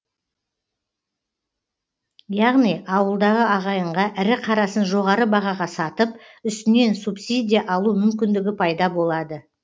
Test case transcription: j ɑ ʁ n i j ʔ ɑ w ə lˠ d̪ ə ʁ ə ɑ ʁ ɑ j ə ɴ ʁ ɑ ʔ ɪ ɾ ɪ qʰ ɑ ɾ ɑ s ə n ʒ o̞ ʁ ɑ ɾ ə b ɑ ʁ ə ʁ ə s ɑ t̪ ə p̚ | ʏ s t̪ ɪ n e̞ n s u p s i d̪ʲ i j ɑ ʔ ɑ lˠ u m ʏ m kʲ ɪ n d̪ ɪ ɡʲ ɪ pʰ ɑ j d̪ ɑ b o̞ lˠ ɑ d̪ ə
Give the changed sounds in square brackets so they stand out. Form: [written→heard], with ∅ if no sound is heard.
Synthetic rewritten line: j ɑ ʁ n i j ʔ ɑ w ə lˠ d̪ [ə→ɑ] ʁ ə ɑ ʁ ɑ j ə ɴ ʁ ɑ ʔ ɪ ɾ ɪ qʰ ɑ ɾ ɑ s ə n ʒ o̞ ʁ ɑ ɾ ə b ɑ ʁ [ə→ɑ] ʁ [ə→ɑ] s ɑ t̪ ə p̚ | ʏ s t̪ ɪ n e̞ n s u p s i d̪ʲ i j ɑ ʔ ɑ lˠ u m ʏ m kʲ ɪ n d̪ ɪ ɡʲ ɪ pʰ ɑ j d̪ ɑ b o̞ lˠ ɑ d̪ ə